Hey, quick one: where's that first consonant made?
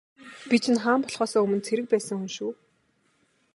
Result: lips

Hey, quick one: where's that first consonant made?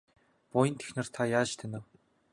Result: lips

